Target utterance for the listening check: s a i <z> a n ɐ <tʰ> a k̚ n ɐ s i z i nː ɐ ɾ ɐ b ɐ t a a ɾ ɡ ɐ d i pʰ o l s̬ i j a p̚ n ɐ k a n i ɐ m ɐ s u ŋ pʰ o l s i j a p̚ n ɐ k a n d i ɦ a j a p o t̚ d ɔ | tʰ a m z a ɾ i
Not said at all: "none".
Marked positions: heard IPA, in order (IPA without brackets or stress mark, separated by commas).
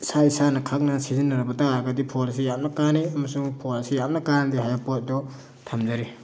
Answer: s, kʰ